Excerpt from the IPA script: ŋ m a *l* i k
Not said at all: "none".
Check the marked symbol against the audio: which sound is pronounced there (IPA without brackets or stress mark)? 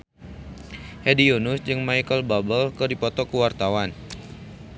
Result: none